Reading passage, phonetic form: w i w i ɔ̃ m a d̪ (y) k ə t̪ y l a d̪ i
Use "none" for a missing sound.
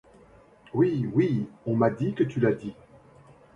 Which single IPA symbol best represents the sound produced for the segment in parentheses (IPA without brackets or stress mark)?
i